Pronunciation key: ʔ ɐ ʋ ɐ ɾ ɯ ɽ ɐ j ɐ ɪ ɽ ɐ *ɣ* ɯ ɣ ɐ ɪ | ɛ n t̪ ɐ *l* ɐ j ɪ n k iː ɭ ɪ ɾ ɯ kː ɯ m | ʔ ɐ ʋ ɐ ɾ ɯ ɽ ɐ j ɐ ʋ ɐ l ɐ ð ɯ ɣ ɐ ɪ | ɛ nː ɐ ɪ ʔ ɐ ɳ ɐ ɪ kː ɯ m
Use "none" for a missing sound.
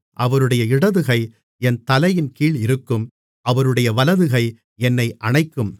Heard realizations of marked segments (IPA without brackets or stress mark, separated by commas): ð, l